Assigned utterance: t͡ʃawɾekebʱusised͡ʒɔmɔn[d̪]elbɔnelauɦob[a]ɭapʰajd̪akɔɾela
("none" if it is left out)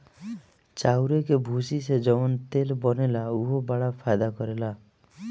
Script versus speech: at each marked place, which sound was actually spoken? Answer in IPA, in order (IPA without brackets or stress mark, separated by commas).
t̪, a